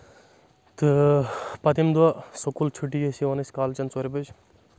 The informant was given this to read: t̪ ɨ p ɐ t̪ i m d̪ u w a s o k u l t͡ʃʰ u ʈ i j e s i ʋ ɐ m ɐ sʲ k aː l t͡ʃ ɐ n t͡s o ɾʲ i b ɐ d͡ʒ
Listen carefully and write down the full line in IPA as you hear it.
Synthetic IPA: t̪ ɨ p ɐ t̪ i m d̪ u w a s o k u l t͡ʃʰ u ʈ i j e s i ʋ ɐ n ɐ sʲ k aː l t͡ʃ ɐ n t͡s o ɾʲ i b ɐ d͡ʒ